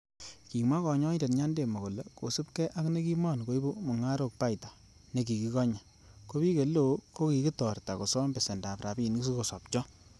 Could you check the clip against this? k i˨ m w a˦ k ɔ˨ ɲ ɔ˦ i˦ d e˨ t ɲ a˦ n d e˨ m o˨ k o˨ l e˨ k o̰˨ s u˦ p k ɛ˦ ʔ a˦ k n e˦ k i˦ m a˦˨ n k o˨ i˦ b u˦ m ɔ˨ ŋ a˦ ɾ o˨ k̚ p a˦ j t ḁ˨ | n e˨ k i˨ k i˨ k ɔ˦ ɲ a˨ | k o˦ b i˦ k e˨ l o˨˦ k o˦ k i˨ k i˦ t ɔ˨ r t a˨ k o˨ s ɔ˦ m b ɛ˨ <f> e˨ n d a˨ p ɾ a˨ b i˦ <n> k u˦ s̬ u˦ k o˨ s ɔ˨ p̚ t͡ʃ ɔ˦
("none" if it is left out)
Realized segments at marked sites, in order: s, n

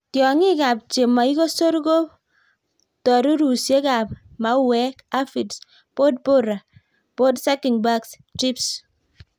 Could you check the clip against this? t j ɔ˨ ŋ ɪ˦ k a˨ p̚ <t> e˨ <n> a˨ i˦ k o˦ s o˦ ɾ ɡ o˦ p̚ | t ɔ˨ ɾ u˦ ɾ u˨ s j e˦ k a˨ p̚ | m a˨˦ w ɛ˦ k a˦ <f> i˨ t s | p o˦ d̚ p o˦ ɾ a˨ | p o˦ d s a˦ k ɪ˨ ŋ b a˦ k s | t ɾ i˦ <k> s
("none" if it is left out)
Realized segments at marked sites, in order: t͡ʃ, m, f, p

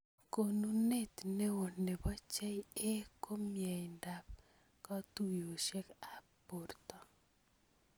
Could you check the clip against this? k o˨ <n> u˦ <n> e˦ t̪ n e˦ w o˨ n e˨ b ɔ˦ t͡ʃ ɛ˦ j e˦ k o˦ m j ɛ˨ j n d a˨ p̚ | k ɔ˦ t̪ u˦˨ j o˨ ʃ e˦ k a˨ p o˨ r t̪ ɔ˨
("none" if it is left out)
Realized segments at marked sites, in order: n, n

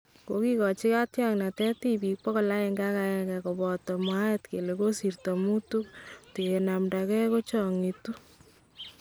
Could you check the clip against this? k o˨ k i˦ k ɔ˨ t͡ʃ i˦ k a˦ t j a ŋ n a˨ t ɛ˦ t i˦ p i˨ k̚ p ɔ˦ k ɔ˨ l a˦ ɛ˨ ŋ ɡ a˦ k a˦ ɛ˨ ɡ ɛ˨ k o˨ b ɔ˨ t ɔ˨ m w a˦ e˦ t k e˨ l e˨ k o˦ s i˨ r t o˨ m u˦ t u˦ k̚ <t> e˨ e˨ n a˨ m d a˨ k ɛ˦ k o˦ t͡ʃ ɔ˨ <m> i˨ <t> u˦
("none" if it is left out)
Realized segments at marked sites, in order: t, ŋ, t

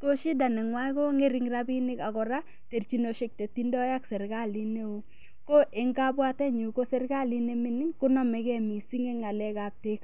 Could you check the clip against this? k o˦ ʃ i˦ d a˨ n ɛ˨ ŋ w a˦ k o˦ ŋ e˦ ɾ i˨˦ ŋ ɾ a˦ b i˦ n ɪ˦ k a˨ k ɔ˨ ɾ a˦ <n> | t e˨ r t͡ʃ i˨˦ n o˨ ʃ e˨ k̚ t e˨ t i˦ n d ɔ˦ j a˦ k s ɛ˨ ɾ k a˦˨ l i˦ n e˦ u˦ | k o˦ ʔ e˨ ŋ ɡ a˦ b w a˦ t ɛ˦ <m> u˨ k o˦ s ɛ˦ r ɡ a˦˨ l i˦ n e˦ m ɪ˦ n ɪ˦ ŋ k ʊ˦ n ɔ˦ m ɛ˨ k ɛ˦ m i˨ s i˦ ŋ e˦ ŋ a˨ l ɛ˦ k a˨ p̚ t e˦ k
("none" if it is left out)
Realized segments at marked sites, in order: none, ɲ

